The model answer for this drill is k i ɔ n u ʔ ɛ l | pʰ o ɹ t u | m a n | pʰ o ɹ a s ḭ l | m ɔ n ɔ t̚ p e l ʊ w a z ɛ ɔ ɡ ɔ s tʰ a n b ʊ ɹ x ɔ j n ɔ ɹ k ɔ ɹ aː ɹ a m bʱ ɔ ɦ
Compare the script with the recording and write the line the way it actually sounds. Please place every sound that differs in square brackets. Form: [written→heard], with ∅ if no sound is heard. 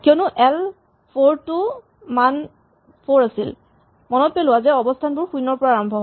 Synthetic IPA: k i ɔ n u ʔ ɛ l | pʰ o ɹ t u | m a n | pʰ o ɹ a s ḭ l | m ɔ n ɔ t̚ p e l ʊ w a z ɛ ɔ [ɡ→b] ɔ s tʰ a n b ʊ ɹ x [ɔ→u] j n ɔ ɹ [k→p] ɔ ɹ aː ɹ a m bʱ ɔ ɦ